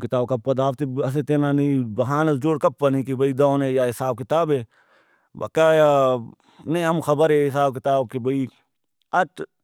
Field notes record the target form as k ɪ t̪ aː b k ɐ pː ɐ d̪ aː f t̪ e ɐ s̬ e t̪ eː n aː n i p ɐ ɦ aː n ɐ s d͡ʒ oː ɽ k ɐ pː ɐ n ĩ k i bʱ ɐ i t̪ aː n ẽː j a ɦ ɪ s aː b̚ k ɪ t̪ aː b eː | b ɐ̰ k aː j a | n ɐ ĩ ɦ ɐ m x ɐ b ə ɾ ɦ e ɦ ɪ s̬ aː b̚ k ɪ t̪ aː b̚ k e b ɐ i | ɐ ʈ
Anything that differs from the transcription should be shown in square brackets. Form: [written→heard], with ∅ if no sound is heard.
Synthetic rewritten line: k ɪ t̪ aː b k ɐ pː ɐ d̪ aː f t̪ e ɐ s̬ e t̪ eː n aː n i [p→b] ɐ ɦ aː n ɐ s d͡ʒ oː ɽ k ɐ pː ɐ n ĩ k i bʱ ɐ i [t̪→d̪] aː n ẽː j a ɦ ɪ s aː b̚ k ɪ t̪ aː b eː | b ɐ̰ k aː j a | n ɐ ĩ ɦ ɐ m x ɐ b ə ɾ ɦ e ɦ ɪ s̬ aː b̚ k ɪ t̪ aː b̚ k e b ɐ i | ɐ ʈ

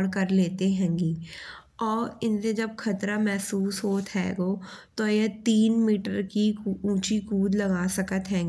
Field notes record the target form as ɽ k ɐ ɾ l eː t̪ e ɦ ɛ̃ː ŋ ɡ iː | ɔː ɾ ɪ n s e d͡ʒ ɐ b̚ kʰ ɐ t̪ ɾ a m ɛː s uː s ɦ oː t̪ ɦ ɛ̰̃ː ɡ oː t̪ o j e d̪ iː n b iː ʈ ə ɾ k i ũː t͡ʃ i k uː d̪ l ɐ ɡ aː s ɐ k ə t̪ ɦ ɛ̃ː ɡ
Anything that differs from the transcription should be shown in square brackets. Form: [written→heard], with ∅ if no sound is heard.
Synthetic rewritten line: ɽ k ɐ ɾ l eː t̪ e ɦ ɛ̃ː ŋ ɡ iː | ɔː ɾ ɪ n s e d͡ʒ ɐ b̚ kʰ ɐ t̪ ɾ a m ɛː s uː s ɦ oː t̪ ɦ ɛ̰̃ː ɡ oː t̪ o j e [d̪→t̪] iː n [b→m] iː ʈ ə ɾ k i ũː t͡ʃ i k uː d̪ l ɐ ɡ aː s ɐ k ə t̪ ɦ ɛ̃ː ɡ

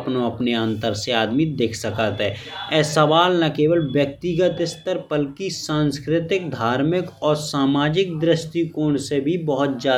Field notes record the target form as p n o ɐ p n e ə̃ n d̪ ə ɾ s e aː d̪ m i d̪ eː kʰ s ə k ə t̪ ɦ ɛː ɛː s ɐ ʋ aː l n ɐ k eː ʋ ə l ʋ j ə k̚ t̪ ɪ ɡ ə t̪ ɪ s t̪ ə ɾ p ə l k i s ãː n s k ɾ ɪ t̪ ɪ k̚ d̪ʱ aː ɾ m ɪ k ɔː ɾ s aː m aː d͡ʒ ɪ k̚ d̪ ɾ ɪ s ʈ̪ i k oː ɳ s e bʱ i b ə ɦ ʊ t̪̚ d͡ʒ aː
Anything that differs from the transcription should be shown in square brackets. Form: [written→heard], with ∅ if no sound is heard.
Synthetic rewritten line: p n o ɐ p n e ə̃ n [d̪→t̪] ə ɾ s e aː d̪ m i d̪ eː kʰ s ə k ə t̪ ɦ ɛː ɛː s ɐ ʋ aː l n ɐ k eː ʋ ə l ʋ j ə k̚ t̪ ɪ ɡ ə t̪ ɪ s t̪ ə ɾ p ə l k i s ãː n s k ɾ ɪ t̪ ɪ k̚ d̪ʱ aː ɾ m ɪ k ɔː ɾ s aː m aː d͡ʒ ɪ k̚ d̪ ɾ ɪ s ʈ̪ i k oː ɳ s e bʱ i b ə ɦ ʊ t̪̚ d͡ʒ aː

